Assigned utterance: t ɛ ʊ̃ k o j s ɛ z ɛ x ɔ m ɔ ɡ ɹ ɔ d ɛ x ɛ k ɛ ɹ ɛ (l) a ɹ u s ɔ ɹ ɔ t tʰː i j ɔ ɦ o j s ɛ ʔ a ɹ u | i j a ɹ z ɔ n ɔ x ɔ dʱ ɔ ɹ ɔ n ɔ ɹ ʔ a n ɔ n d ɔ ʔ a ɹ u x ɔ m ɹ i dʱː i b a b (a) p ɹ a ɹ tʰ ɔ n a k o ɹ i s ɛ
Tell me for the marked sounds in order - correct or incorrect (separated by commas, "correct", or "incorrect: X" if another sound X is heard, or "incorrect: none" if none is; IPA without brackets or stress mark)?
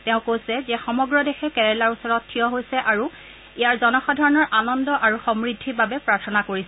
correct, incorrect: ɛ